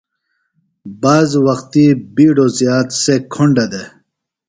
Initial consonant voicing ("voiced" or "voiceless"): voiced